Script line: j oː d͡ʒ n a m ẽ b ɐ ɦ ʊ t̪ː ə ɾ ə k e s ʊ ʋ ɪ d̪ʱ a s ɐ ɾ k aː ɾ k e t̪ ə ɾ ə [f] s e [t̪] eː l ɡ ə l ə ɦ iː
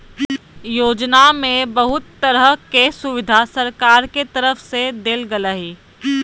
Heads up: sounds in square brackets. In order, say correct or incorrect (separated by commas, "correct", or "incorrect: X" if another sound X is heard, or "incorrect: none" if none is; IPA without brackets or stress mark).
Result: correct, incorrect: d̪